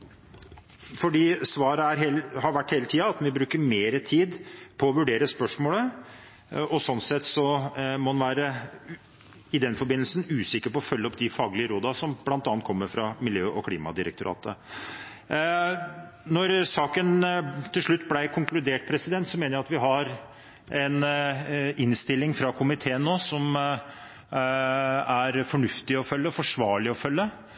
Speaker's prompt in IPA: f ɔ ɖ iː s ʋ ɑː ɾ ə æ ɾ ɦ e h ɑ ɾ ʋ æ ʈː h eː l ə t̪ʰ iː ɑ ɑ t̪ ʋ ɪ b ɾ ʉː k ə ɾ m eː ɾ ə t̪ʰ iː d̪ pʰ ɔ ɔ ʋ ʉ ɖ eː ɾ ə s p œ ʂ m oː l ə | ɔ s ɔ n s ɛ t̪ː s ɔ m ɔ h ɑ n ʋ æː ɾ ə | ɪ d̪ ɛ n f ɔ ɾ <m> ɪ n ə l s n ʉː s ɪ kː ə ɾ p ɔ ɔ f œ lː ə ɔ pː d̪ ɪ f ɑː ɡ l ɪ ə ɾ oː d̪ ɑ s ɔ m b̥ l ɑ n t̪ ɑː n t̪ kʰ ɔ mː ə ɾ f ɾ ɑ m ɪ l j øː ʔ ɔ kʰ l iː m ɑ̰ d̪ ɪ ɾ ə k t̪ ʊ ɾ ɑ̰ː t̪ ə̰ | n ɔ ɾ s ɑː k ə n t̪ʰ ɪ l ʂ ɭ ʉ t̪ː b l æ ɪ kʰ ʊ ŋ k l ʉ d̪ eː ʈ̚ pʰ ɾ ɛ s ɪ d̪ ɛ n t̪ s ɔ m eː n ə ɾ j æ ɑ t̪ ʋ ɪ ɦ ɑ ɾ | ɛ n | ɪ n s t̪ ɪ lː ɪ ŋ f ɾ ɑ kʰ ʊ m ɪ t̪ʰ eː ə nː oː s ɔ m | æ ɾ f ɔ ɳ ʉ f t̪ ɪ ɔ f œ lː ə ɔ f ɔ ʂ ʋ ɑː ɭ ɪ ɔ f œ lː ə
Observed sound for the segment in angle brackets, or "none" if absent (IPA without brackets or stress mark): b